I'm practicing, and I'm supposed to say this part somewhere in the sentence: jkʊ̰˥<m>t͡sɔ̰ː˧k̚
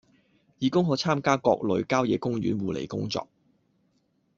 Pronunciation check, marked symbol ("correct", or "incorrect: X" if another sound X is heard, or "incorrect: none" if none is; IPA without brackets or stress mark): incorrect: ŋ